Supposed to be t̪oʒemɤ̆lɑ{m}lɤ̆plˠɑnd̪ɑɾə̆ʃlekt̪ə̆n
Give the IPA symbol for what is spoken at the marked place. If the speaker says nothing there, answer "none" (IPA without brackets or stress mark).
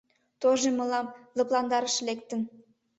m